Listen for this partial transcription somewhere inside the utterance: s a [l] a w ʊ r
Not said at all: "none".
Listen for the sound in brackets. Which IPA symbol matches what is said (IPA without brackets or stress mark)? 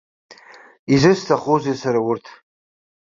ɾ